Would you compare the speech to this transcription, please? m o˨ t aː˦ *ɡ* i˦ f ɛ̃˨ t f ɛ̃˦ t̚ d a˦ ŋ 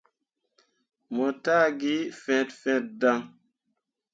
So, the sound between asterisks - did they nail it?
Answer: yes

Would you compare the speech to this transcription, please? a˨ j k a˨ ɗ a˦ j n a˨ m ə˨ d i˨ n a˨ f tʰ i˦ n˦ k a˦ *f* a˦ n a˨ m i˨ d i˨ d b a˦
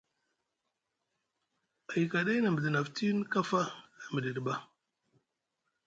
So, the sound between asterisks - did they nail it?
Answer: yes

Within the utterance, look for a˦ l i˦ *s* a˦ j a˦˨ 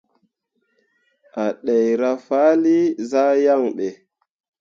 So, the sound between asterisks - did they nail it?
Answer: no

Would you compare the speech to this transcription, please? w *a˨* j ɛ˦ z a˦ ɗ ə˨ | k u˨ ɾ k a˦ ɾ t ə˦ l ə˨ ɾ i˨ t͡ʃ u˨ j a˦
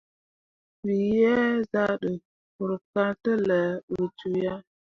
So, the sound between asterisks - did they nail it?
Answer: no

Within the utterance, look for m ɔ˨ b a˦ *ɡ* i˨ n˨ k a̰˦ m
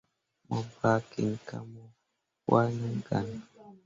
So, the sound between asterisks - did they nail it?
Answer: no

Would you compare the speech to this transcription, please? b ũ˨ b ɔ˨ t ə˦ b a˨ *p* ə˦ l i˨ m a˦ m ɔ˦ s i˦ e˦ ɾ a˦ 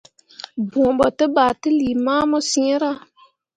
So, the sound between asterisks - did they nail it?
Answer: no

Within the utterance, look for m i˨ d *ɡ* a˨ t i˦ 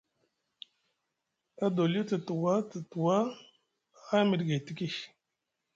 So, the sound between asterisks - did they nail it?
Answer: yes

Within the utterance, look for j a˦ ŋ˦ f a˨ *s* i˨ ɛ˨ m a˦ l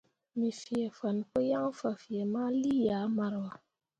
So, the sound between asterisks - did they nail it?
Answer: no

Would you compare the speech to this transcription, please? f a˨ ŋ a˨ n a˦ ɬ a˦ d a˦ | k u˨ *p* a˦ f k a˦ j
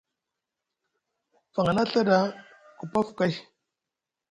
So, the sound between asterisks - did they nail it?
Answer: yes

